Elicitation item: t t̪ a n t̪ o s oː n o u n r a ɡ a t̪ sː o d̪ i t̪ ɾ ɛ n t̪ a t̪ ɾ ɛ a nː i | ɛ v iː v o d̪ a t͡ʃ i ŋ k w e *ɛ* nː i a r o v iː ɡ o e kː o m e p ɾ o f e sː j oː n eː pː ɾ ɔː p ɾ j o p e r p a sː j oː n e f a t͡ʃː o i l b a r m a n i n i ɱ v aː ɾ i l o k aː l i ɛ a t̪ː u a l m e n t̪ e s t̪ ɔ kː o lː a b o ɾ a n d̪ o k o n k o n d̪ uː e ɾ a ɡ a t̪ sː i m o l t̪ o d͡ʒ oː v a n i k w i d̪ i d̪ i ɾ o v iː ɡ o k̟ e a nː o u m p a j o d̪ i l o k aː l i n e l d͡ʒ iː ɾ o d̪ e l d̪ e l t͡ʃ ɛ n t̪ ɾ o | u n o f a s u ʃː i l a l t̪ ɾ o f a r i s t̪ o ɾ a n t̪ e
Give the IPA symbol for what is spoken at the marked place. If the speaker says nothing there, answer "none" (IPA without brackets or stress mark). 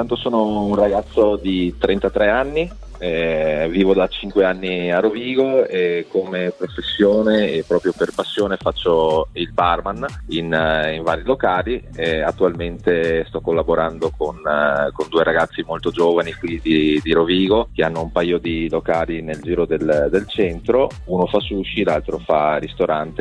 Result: a